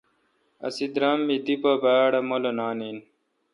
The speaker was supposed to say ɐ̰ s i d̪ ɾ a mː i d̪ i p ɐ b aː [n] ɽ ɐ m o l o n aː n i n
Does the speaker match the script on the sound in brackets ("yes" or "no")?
no